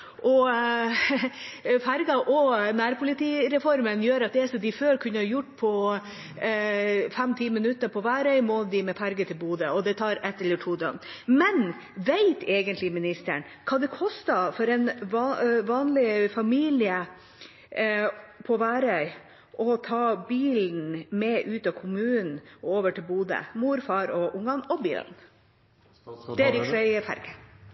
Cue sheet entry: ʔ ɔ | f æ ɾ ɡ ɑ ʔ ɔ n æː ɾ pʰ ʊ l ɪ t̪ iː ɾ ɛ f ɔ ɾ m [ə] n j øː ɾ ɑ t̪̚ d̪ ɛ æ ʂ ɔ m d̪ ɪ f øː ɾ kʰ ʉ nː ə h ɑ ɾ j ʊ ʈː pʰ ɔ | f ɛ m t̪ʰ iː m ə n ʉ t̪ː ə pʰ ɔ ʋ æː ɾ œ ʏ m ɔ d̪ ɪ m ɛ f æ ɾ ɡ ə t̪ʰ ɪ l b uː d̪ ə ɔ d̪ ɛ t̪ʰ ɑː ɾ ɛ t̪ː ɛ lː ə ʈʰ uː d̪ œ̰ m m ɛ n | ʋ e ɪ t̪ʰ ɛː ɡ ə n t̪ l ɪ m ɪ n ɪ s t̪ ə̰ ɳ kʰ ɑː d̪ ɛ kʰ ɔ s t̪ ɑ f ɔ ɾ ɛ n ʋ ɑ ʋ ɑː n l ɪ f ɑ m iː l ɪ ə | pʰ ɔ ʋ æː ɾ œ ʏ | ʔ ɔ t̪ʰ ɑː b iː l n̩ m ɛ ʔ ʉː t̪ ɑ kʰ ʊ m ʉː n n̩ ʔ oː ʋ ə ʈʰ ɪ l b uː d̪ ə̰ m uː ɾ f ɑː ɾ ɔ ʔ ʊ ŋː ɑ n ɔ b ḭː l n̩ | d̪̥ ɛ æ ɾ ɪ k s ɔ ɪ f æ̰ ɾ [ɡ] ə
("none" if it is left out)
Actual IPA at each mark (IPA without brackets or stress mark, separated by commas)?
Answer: ə, ɡ